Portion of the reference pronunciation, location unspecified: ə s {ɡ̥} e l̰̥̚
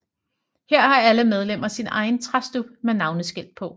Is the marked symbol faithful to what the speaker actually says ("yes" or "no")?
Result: yes